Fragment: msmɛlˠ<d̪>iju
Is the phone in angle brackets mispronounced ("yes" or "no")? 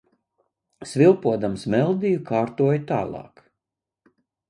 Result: no